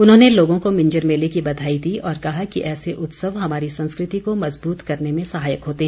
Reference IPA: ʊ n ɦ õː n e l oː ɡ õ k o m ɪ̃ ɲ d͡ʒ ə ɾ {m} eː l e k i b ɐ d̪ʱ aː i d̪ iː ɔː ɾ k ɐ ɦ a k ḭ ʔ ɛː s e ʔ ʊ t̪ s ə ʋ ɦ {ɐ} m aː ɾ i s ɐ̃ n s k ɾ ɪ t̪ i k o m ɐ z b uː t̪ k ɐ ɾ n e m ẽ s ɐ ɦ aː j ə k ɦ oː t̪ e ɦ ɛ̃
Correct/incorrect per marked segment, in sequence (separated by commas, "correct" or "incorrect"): correct, correct